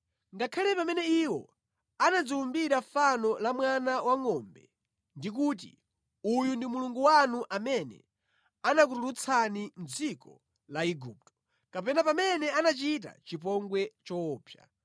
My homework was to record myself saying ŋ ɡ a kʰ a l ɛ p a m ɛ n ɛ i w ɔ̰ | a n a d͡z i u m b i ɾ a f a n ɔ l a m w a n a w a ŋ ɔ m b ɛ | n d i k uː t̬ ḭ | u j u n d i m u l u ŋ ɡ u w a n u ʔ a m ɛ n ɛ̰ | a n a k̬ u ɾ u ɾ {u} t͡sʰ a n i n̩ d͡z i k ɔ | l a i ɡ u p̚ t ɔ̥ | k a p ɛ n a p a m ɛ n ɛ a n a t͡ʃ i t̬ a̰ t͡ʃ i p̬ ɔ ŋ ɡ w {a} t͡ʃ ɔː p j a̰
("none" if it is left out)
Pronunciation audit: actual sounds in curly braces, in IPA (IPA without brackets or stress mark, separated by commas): u, ɛ